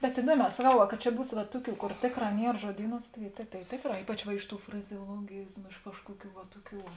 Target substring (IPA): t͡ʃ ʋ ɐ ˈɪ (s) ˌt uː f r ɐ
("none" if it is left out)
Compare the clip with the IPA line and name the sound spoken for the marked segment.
ʃ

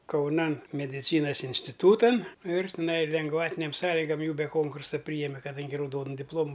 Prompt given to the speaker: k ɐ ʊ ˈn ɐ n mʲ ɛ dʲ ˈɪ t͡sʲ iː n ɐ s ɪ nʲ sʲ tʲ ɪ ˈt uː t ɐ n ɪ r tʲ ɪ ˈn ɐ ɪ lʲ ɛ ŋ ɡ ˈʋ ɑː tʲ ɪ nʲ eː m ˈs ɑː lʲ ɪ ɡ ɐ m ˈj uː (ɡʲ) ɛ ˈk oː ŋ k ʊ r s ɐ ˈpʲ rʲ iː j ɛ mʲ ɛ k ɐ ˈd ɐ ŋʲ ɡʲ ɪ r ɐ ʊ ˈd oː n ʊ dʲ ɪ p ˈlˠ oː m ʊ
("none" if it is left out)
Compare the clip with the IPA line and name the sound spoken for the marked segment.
bʲ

